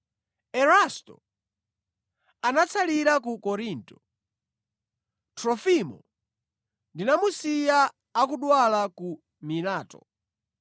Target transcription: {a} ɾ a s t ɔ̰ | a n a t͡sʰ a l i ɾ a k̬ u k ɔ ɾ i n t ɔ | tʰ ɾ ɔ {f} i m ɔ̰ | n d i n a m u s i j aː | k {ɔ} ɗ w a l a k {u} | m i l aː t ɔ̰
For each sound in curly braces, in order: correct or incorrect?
incorrect: ɛ, correct, incorrect: u, correct

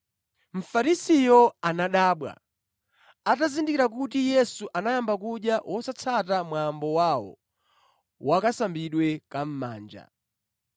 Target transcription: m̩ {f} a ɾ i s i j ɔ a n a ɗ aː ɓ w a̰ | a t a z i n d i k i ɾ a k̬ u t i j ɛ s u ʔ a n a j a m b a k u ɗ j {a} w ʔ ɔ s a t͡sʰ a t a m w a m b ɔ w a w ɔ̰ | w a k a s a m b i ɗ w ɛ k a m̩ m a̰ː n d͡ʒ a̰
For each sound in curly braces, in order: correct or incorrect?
correct, correct

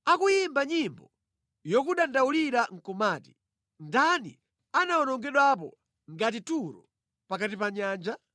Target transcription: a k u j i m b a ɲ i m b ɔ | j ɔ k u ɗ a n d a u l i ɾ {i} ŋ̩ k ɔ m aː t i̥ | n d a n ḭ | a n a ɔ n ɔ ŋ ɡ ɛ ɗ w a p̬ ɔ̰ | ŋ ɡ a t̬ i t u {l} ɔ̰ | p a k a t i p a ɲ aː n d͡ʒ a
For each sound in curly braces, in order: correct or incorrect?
incorrect: a, incorrect: ɾ

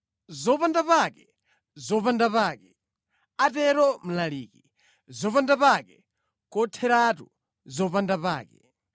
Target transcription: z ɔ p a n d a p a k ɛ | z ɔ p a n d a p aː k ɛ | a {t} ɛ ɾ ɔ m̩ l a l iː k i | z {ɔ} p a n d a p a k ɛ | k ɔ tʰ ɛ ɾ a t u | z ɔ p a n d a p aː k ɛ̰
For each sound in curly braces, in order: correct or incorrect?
correct, correct

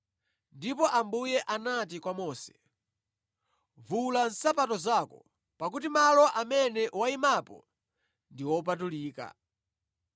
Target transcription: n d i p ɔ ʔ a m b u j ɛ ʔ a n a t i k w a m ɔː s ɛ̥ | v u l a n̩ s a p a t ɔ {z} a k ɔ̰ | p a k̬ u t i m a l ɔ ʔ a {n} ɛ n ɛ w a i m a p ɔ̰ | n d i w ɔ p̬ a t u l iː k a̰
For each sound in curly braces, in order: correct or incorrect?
correct, incorrect: m

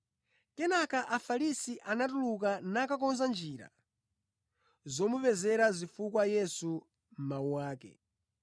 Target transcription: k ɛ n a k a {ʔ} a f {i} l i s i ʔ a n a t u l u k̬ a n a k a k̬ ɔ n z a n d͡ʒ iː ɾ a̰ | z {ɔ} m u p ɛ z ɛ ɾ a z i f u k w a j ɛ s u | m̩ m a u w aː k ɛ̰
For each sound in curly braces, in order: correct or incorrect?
correct, incorrect: a, correct

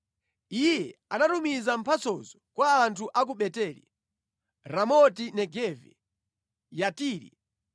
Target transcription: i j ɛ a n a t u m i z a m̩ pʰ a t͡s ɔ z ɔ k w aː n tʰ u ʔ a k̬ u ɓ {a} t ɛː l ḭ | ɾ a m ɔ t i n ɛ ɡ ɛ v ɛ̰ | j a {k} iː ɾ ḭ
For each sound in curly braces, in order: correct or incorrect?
incorrect: ɛ, incorrect: t

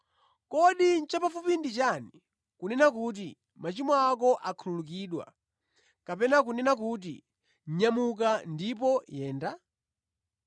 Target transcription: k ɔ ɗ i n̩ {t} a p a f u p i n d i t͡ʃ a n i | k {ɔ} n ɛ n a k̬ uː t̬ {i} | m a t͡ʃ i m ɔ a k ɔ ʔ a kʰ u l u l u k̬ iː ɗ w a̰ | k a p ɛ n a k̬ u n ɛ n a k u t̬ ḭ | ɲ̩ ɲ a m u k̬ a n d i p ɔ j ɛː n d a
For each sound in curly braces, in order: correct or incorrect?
incorrect: t͡ʃ, incorrect: u, correct

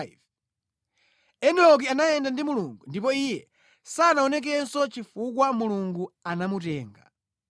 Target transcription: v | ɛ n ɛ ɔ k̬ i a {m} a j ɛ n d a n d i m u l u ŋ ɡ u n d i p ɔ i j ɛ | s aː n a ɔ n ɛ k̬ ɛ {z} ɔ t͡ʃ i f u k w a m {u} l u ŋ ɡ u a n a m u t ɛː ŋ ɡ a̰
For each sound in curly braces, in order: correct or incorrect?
incorrect: n, incorrect: s, correct

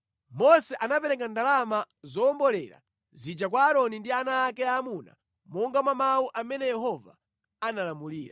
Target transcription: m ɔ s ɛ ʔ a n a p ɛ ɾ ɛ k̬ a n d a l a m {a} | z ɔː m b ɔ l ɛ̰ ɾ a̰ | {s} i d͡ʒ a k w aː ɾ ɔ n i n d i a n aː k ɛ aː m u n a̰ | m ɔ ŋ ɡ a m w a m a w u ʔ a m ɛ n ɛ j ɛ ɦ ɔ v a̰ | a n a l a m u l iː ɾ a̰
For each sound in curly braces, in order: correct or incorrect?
correct, incorrect: z

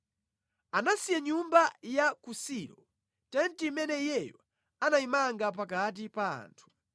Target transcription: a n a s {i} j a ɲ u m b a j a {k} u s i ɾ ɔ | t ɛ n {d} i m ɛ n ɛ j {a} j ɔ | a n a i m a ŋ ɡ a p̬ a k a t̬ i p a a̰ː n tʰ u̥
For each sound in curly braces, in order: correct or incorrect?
correct, correct, incorrect: t, incorrect: ɛ

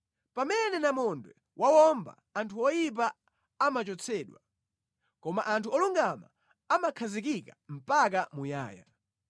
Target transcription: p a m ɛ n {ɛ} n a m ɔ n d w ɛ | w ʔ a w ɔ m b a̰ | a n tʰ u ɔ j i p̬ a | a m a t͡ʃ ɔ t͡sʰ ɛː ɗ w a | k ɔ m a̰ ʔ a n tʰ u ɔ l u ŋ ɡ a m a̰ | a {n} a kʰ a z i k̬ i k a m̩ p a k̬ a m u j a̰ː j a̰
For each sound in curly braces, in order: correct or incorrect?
correct, incorrect: m

